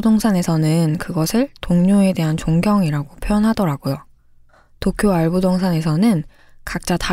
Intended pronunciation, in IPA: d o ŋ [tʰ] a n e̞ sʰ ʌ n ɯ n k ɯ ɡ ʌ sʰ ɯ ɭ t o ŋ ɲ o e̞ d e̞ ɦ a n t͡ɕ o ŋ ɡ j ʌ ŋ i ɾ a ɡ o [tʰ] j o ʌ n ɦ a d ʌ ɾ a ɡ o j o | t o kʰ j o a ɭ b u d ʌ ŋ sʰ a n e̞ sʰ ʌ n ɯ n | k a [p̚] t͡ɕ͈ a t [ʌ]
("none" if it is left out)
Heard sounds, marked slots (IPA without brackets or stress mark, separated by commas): sʰ, pʰ, k̚, a